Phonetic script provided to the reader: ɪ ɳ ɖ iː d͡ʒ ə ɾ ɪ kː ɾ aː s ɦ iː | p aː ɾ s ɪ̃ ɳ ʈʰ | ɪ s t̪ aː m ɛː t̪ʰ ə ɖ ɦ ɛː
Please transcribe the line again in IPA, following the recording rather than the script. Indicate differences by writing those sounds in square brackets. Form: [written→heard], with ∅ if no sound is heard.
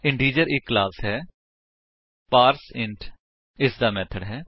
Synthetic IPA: ɪ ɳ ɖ iː d͡ʒ ə ɾ ɪ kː [ɾ→l] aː s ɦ [iː→ɛː] | p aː ɾ s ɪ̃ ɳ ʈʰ | ɪ s [t̪→d̪] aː m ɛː t̪ʰ ə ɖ ɦ ɛː